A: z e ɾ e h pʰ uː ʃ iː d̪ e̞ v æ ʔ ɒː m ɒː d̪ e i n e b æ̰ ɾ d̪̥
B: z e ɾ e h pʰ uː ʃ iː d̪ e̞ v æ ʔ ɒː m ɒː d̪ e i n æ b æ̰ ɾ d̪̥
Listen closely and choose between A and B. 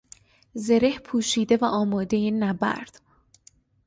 B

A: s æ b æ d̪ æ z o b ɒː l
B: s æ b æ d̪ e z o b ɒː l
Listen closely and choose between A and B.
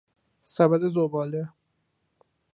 B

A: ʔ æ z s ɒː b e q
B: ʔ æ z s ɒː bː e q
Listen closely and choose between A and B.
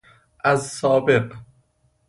A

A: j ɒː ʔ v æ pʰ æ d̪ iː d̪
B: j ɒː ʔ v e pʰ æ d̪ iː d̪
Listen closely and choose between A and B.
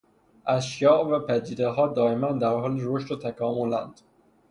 A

